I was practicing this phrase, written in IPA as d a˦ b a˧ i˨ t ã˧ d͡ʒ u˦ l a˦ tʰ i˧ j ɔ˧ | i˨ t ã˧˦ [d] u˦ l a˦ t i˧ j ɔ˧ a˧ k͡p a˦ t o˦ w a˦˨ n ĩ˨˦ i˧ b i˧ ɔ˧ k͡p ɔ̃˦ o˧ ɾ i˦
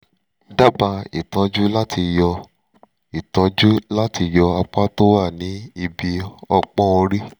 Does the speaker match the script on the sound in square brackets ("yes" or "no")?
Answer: no